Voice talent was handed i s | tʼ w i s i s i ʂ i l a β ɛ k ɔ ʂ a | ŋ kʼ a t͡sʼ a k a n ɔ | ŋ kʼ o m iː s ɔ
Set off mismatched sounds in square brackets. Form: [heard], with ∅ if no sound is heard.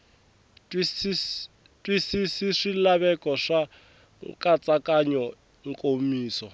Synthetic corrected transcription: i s | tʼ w i s i s i ʂ i l a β ɛ k ɔ ʂ a | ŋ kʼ a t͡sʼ a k a [ɲ] ɔ | ŋ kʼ o m iː s ɔ